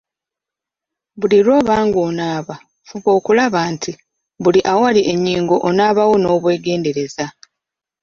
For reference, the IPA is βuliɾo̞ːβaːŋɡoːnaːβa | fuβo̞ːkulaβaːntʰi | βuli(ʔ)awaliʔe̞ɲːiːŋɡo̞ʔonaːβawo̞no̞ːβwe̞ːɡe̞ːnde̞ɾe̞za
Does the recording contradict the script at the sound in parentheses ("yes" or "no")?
no